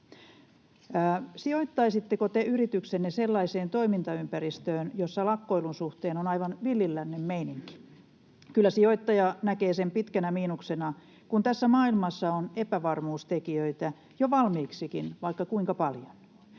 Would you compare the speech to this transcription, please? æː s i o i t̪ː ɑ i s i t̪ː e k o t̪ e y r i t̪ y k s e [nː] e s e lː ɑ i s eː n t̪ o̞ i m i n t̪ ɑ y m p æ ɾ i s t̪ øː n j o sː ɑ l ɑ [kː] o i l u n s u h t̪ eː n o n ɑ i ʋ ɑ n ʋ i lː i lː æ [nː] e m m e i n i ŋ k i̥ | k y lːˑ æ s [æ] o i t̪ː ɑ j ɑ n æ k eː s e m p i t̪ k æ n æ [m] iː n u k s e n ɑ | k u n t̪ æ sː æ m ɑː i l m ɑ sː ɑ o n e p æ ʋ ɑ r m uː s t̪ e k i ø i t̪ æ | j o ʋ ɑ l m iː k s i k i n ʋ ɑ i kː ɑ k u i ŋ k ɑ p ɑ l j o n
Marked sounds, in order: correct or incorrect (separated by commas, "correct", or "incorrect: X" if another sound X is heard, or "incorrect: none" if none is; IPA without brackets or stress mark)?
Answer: correct, correct, correct, incorrect: i, correct